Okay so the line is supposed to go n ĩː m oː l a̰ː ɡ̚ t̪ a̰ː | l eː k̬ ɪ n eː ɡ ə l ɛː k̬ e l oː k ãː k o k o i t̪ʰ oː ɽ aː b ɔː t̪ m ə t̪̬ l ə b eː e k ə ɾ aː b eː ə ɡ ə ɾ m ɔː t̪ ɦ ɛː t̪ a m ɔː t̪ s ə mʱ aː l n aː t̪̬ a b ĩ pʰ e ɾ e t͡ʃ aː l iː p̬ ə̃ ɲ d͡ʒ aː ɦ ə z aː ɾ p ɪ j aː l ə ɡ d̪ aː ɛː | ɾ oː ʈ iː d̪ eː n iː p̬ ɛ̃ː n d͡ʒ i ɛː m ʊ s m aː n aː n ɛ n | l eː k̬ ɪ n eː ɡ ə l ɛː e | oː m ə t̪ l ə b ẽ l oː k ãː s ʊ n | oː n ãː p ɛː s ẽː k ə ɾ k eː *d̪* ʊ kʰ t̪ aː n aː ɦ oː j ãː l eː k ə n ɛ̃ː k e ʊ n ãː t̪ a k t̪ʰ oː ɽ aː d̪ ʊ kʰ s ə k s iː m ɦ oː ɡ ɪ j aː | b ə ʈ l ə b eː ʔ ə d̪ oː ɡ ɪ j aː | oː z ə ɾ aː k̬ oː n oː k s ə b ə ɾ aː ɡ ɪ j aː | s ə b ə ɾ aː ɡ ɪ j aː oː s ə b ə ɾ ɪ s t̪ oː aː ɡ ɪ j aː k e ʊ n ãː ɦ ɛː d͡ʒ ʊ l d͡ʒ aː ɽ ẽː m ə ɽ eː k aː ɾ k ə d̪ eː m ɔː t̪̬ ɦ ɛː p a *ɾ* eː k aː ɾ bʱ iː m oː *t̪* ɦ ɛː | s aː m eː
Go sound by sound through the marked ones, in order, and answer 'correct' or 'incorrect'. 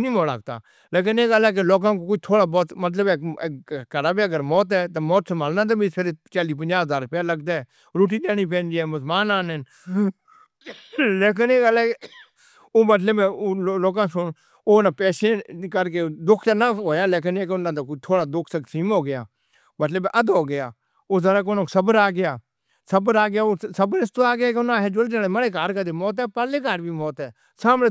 correct, incorrect: l, correct

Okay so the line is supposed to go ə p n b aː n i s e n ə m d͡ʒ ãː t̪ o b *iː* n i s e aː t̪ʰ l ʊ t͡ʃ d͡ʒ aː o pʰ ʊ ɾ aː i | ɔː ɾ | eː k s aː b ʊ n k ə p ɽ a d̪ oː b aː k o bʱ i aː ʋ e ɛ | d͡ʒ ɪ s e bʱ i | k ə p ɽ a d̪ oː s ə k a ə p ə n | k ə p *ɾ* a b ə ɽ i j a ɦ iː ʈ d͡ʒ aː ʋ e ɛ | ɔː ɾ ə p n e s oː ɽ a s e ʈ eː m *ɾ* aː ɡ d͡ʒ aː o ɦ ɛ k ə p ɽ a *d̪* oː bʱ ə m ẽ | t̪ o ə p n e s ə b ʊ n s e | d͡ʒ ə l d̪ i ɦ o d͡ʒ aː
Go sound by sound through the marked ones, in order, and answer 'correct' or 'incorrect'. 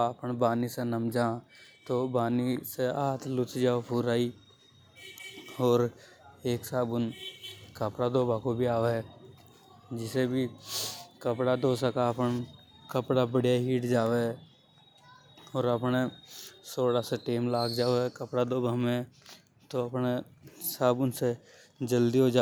incorrect: aː, incorrect: ɽ, incorrect: l, correct

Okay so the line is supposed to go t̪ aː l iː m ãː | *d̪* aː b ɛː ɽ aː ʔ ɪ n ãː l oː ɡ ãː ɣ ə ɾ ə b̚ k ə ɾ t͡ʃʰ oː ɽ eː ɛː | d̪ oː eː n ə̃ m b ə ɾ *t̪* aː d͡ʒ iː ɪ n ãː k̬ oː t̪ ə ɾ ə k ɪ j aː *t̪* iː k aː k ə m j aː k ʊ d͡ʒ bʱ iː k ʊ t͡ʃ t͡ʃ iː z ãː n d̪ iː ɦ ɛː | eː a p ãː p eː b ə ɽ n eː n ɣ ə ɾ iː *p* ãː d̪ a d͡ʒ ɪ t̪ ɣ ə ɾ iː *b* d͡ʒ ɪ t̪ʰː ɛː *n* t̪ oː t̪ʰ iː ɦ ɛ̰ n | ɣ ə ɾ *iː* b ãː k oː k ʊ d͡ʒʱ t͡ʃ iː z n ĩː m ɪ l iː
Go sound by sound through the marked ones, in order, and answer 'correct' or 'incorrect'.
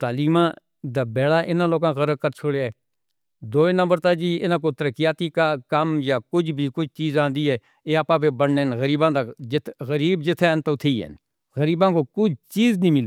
correct, correct, correct, incorrect: b, correct, correct, correct

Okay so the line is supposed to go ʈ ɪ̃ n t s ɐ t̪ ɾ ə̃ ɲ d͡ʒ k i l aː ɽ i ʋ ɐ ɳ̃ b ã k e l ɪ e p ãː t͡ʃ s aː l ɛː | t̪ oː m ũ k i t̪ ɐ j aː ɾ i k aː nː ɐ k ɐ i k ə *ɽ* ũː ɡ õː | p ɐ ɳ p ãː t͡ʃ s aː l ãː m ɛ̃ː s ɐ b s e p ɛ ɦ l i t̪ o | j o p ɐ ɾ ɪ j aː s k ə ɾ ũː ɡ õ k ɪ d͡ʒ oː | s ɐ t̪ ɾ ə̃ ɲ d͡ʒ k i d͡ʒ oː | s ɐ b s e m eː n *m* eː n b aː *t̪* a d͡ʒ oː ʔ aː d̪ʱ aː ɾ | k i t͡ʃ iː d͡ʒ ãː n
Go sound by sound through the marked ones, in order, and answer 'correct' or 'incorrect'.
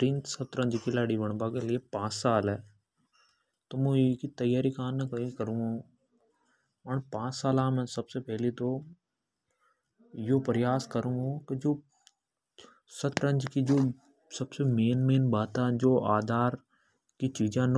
incorrect: ɾ, correct, correct

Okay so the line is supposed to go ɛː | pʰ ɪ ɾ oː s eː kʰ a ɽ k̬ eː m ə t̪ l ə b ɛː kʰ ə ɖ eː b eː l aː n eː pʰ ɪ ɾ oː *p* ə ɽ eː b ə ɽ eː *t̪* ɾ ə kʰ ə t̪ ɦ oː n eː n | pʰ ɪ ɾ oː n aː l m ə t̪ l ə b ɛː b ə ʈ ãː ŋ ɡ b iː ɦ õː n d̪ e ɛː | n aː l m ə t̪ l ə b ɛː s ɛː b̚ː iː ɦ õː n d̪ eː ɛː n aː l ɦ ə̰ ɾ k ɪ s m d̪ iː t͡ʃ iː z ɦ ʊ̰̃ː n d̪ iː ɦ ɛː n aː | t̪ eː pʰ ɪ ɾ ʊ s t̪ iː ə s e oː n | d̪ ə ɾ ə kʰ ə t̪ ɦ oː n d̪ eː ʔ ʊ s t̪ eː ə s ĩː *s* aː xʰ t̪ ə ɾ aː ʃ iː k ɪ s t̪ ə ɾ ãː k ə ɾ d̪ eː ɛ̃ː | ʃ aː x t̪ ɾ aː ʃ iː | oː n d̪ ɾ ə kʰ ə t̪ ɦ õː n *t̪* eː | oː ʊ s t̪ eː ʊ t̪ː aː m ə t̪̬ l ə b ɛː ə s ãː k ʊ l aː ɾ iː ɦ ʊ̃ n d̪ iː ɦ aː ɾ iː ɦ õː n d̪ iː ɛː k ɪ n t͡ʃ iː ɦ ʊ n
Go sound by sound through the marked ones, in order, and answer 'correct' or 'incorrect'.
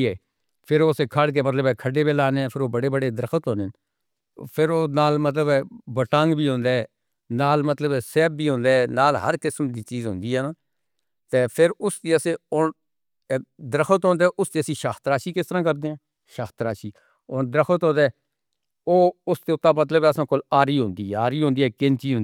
incorrect: b, incorrect: d̪, incorrect: ʃ, incorrect: d̪

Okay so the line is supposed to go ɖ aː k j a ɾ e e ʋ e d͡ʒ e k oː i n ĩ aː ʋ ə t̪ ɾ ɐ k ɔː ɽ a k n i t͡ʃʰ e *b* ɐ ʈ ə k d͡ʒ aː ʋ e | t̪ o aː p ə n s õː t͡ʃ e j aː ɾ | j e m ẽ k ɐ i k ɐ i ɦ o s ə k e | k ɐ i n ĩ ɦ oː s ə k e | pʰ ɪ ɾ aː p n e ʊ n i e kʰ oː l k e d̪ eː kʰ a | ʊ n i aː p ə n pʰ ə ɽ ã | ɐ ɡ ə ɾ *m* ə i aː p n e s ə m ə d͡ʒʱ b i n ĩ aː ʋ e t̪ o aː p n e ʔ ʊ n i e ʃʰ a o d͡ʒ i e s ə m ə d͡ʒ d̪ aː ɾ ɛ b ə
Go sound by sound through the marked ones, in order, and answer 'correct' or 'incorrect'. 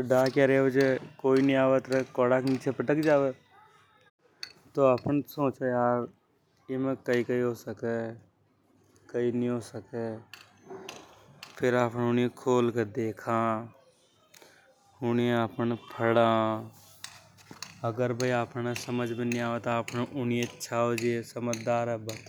incorrect: p, incorrect: b

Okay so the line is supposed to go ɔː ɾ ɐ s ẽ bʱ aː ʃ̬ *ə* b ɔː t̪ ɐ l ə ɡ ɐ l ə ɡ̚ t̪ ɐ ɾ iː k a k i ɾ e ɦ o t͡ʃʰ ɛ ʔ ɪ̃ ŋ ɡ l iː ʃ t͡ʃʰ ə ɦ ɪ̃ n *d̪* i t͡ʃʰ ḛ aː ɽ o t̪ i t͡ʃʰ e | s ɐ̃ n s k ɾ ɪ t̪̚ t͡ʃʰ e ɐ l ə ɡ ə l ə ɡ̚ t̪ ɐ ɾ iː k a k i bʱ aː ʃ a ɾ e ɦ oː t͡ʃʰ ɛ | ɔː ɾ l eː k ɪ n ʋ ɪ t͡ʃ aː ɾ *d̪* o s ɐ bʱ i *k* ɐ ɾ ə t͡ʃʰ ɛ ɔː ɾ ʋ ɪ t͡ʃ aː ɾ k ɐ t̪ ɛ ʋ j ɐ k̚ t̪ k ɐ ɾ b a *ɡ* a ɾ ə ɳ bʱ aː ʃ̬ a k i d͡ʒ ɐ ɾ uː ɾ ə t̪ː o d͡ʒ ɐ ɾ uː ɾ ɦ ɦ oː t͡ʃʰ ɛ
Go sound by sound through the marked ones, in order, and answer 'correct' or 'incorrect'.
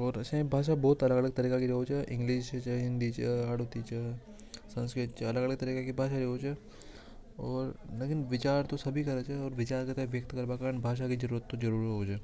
incorrect: a, correct, incorrect: t̪, correct, incorrect: k

